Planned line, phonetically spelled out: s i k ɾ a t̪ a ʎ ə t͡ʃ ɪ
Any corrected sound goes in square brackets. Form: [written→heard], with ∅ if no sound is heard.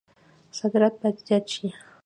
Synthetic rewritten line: s [i→a] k ɾ a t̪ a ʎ [ə→a] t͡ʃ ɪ

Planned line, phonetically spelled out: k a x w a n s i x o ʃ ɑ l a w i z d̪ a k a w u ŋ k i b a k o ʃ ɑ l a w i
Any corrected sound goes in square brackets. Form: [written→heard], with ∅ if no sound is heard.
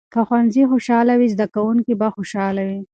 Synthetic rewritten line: k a x w a n [s→z] i x o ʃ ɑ l a w i z d̪ a k a w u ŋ k i b a [k→x] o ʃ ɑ l a w i

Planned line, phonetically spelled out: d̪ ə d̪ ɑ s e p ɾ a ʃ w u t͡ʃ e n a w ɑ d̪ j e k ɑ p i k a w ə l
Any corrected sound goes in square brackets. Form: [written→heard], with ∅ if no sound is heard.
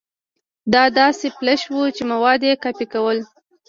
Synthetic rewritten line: d̪ [ə→ɑ] d̪ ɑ s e p [ɾ→l] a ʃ w u t͡ʃ e [n→m] a w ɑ d̪ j e k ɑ p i k a w ə l

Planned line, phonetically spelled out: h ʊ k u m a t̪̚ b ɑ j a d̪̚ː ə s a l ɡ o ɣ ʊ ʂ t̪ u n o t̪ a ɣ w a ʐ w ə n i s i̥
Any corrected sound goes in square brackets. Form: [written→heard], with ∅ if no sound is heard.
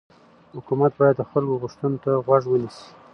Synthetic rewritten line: h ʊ k u m a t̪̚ b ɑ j a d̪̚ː ə [s→x] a l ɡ o ɣ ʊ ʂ t̪ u n o t̪ a ɣ w a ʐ w ə n i s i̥

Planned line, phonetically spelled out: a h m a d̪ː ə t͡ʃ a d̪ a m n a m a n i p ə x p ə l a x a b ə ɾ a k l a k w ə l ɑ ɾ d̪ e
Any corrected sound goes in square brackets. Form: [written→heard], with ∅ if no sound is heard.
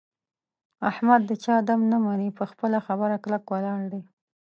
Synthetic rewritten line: a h m a d̪ː ə t͡ʃ [a→ɑ] d̪ a m n a m a n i p ə x p ə l a x a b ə ɾ a k l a k w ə l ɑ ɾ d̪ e

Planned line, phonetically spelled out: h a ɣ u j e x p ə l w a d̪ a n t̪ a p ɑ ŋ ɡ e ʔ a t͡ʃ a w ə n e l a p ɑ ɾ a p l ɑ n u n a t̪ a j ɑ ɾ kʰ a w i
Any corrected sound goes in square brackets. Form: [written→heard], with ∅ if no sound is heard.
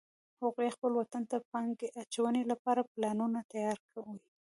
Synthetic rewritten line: h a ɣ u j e x p ə l w a [d̪→t̪] a n t̪ a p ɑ ŋ ɡ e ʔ a t͡ʃ a w ə n e l a p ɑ ɾ a p l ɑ n u n a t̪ a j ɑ ɾ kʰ a w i

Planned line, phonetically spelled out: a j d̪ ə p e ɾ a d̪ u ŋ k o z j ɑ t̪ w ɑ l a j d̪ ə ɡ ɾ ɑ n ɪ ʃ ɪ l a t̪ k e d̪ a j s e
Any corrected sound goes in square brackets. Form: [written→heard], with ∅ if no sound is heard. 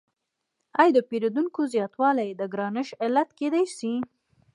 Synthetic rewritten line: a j d̪ ə p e ɾ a d̪ u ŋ k o z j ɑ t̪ w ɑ l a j d̪ ə ɡ ɾ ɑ n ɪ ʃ ɪ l a t̪ k e d̪ a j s [e→i]

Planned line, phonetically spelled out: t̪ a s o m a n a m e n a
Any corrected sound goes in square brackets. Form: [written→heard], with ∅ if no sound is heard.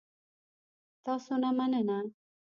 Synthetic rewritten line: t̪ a s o [m→n] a [n→m] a [m→n] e n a

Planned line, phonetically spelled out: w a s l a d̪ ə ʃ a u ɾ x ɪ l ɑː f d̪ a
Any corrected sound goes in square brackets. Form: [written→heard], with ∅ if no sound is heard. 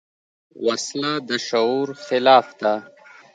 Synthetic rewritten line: w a s l a d̪ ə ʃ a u ɾ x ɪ l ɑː f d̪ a

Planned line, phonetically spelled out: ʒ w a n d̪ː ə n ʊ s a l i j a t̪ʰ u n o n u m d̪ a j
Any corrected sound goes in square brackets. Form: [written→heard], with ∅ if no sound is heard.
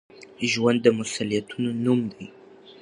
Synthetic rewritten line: ʒ w a n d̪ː ə [n→m] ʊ s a l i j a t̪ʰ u n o n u m d̪ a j

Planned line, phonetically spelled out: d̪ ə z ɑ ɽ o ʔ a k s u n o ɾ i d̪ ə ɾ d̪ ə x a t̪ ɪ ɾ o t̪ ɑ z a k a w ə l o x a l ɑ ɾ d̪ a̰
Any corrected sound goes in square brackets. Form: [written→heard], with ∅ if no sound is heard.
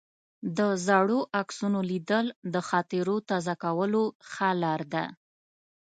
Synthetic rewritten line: d̪ ə z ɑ ɽ o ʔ a k s u n o [ɾ→l] i d̪ ə [ɾ→l] d̪ ə x [a→ɑ] t̪ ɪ ɾ o t̪ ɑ z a k a w ə l o x a l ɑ ɾ d̪ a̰

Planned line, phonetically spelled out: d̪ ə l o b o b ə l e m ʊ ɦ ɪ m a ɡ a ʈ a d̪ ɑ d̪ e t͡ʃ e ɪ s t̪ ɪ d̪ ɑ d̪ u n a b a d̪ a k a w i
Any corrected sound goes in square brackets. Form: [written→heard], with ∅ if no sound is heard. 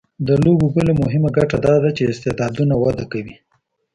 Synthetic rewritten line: d̪ ə l o b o b ə l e m ʊ ɦ ɪ m a ɡ a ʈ a d̪ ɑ d̪ [e→a] t͡ʃ e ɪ s t̪ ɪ d̪ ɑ d̪ u n a [b→w] a d̪ a k a w i

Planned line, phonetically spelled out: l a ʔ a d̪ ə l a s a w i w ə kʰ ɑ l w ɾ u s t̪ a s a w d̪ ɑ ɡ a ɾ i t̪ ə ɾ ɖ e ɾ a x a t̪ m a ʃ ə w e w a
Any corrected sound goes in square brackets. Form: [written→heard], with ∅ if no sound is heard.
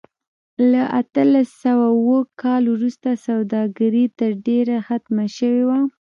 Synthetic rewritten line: l a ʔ a [d̪→t̪] ə l a s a w [i→a] w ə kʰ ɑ l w ɾ u s t̪ a s a w d̪ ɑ ɡ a ɾ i t̪ ə ɾ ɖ e ɾ a x a t̪ m a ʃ ə w e w a

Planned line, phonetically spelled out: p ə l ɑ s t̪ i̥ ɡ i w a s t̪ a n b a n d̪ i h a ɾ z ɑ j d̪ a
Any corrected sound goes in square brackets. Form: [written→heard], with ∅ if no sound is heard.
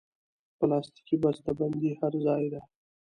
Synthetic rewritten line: p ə l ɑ s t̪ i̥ [ɡ→k] i [w→b] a s t̪ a [n→∅] b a n d̪ i h a ɾ z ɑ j d̪ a

